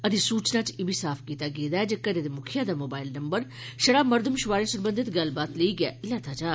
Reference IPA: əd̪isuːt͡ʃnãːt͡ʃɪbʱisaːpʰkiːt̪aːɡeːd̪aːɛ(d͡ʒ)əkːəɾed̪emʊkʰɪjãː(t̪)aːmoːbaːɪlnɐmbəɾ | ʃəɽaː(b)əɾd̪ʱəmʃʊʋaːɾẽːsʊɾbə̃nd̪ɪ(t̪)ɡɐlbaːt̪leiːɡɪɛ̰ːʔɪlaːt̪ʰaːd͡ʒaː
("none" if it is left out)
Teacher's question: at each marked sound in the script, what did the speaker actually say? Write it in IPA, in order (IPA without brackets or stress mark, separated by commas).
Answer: d͡ʒ, d̪, m, t̪